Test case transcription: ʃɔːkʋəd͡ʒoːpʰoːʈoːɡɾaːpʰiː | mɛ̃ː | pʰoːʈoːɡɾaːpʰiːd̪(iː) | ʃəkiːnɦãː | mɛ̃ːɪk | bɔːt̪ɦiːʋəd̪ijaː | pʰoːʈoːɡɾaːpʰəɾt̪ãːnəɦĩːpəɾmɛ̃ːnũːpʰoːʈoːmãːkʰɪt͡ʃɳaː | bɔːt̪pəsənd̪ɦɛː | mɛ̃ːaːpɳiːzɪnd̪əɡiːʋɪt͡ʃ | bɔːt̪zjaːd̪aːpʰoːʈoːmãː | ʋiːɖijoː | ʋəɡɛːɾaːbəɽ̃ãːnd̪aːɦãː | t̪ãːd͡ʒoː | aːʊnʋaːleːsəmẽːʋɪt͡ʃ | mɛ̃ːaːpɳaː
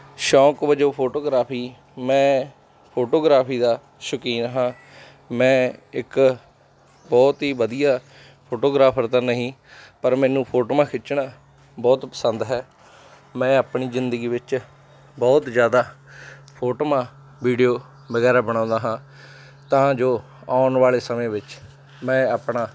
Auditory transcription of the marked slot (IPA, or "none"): aː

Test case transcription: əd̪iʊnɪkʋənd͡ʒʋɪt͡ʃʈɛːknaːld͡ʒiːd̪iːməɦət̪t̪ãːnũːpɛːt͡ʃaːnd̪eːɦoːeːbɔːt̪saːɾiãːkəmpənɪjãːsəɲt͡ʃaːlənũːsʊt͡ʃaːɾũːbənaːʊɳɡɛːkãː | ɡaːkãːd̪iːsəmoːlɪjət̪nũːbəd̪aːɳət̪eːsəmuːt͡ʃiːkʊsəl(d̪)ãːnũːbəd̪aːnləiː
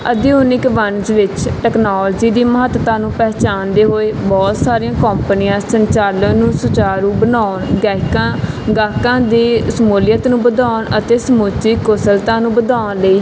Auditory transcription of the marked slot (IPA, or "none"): t̪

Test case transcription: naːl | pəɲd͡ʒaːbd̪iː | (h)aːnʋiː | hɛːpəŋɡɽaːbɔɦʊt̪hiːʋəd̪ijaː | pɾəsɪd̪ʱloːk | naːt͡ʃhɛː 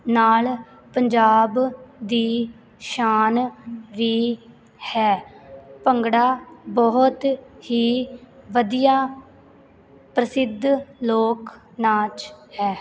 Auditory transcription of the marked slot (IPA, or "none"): ʃ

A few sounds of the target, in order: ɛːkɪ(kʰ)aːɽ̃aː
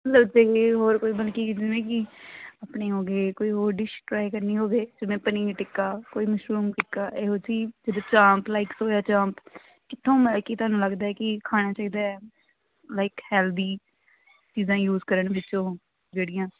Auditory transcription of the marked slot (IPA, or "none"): kʰ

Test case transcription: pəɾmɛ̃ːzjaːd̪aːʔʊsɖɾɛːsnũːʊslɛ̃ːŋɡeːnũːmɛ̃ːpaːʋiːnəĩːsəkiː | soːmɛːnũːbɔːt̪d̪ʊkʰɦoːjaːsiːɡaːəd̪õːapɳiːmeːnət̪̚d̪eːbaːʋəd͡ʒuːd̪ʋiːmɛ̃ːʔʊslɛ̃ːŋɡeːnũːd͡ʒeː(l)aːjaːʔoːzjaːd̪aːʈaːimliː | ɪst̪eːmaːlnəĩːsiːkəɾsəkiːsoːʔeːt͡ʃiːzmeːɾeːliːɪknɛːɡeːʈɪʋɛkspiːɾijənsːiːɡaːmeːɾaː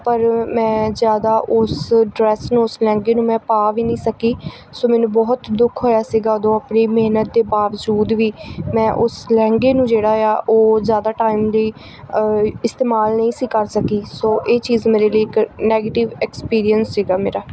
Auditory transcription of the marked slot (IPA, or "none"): ɽ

